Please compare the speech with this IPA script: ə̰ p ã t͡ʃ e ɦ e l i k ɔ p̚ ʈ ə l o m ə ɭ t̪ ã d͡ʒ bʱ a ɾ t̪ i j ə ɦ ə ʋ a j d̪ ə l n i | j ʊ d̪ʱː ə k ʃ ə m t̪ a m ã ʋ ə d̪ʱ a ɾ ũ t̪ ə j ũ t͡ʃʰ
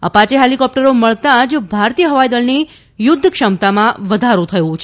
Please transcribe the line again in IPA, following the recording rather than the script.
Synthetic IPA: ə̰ p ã t͡ʃ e ɦ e l i k ɔ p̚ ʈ ə ɾ o m ə ɭ t̪ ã d͡ʒ bʱ a ɾ t̪ i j ə ɦ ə ʋ a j d̪ ə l n i | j ʊ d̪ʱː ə k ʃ ə m t̪ a m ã ʋ ə d̪ʱ a ɾ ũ t̪ʰ ə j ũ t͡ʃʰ